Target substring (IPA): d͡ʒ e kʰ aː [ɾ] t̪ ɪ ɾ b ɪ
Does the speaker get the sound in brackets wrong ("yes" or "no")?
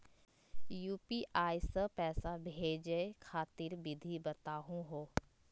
yes